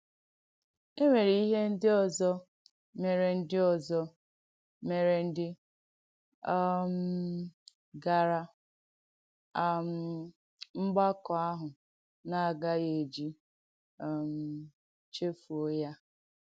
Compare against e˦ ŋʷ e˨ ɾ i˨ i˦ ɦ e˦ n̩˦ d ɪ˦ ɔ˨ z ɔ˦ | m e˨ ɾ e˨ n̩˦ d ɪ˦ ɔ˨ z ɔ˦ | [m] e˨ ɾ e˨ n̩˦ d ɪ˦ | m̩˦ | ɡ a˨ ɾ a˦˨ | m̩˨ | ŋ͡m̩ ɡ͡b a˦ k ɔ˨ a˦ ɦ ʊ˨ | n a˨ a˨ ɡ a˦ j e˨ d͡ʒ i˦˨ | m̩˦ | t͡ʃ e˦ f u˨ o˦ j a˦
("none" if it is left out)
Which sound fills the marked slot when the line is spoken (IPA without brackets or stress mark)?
m